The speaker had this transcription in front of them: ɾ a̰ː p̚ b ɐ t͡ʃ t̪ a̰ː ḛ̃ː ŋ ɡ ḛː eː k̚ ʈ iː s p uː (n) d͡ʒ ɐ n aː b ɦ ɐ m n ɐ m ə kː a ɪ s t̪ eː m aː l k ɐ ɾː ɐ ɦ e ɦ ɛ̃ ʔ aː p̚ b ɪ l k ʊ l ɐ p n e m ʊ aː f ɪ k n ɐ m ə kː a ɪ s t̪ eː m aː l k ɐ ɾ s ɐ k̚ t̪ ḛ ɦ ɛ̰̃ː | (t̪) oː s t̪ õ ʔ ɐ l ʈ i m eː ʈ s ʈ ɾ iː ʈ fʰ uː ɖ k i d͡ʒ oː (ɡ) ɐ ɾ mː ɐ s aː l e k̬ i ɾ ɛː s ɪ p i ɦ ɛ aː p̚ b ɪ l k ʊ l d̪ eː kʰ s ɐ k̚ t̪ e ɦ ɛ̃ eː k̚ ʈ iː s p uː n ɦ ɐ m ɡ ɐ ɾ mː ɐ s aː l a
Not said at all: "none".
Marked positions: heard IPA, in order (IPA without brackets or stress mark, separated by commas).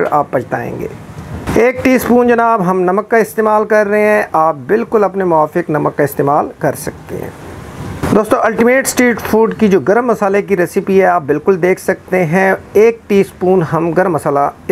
n, d̪, ɡ